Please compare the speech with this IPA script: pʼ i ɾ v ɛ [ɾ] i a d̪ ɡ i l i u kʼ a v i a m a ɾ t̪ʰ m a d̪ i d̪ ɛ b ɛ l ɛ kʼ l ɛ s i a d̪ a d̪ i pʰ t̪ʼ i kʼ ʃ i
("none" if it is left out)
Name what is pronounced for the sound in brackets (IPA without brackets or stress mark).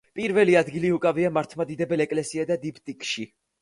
l